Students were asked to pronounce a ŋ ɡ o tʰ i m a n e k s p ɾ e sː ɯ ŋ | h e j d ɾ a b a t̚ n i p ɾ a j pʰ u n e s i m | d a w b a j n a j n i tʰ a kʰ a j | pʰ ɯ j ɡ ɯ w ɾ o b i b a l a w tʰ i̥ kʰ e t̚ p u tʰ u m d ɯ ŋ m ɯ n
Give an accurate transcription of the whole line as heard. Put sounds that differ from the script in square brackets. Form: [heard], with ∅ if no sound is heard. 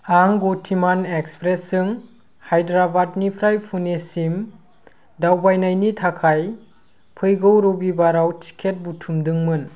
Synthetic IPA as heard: a ŋ ɡ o tʰ i m a n e k s p ɾ e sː ɯ ŋ | h [a] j d ɾ a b a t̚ n i [pʰ] ɾ a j pʰ u n e s i m | d a w b a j n a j n i tʰ a kʰ a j | pʰ ɯ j ɡ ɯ w ɾ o b i b a [ɾ] a w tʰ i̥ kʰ e t̚ [b] u tʰ u m d ɯ ŋ m ɯ n